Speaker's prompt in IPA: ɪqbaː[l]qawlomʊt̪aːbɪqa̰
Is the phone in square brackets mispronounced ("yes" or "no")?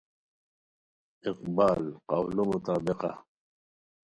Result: no